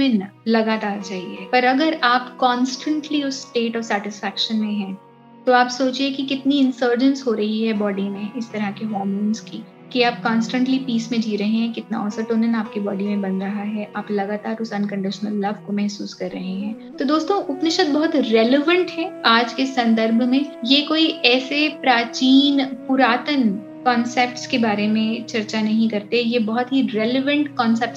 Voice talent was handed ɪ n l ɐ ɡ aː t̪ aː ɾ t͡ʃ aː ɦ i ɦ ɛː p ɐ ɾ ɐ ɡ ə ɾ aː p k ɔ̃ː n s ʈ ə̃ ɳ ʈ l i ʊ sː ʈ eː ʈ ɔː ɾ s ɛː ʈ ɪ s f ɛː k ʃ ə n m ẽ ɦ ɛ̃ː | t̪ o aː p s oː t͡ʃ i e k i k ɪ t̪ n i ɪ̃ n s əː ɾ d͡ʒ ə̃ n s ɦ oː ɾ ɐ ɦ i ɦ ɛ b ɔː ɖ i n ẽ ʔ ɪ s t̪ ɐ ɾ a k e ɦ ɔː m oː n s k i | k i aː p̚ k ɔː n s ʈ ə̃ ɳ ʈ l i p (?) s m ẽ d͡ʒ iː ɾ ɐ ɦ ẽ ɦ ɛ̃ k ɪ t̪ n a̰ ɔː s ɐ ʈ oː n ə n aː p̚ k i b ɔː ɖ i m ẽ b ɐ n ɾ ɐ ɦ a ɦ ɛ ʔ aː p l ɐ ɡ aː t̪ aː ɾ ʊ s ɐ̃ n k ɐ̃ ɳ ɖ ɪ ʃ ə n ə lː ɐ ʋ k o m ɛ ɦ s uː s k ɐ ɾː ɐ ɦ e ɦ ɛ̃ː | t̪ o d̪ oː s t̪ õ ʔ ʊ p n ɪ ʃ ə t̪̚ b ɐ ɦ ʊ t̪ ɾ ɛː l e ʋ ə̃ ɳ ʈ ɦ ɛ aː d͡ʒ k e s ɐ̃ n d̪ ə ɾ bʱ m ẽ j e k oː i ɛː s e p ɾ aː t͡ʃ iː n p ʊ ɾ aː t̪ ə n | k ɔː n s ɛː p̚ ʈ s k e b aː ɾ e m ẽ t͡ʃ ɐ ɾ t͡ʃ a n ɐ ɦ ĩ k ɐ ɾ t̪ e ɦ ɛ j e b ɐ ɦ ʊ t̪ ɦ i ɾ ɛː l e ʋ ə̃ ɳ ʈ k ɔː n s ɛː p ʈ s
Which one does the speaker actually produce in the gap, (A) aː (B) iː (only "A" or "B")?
B